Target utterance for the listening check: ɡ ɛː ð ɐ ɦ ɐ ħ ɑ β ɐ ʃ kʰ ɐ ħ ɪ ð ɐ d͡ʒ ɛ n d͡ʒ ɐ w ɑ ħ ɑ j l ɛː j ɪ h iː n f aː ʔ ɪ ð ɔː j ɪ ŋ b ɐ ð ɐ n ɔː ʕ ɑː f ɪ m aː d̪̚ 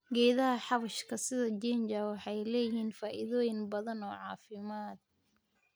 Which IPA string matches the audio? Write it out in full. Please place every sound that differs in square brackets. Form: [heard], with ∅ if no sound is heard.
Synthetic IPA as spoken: ɡ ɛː ð ɐ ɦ ɐ ħ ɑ β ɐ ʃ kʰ ɐ [s] ɪ ð ɐ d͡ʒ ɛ n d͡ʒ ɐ w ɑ ħ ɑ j l ɛː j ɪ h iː n f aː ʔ ɪ ð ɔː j ɪ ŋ b ɐ ð ɐ n ɔː ʕ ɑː f ɪ m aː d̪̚